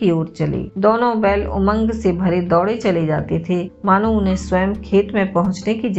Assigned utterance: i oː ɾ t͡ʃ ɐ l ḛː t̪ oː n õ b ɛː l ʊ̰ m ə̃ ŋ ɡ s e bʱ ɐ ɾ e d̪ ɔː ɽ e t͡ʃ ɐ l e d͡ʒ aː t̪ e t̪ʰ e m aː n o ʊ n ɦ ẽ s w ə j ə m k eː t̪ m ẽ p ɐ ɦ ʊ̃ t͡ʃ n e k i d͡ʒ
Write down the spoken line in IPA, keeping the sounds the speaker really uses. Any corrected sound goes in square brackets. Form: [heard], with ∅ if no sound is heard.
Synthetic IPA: i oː ɾ t͡ʃ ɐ l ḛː [d̪] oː n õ b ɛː l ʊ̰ m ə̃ ŋ ɡ s e bʱ ɐ ɾ e d̪ ɔː ɽ e t͡ʃ ɐ l e d͡ʒ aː t̪ e t̪ʰ e m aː n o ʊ n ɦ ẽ s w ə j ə m [kʰ] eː t̪ m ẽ p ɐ ɦ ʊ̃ t͡ʃ n e k i d͡ʒ